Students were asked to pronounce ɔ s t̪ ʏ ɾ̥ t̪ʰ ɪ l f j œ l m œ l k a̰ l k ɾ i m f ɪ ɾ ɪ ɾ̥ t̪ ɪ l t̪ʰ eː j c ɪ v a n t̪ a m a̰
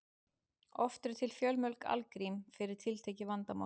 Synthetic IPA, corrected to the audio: ɔ f t̪ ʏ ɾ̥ t̪ʰ ɪ l f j œ l m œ l k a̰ l k ɾ i m f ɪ ɾ ɪ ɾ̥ t̪ʰ ɪ l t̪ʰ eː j c ɪ v a n t̪ a m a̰